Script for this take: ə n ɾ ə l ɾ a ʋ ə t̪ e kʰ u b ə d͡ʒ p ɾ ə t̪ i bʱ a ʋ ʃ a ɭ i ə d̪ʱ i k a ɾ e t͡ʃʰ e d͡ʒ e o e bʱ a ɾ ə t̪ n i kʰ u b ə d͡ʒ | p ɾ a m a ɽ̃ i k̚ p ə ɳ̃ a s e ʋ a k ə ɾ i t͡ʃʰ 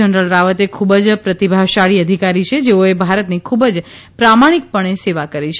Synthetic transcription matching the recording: ə n ɾ ə l ɾ a ʋ ə t̪ e kʰ u b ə d͡ʒ p ɾ ə t̪ i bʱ a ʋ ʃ a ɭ i ə d̪ʱ i k a ɾ i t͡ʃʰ e d͡ʒ e o e bʱ a ɾ ə t̪ n i kʰ u b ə d͡ʒ | p ɾ a m a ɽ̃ i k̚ p ə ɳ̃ e s e ʋ a k ə ɾ i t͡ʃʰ